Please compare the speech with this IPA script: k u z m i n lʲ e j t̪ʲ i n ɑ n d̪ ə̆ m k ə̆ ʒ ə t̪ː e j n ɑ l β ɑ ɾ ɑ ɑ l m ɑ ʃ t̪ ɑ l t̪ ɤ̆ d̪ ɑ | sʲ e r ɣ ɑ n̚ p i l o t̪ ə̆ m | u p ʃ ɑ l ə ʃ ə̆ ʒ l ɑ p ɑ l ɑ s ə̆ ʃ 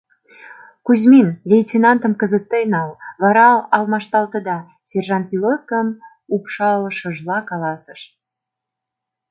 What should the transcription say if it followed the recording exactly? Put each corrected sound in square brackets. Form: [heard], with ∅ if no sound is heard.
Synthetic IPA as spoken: k u z m i n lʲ e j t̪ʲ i n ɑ n [t̪] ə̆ m k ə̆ [z] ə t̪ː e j n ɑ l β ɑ ɾ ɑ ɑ l m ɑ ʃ t̪ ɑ l t̪ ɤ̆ d̪ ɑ | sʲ e r [ʒ] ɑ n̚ p i l o t̪ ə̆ m | u p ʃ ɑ l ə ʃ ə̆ ʒ l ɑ [k] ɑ l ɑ s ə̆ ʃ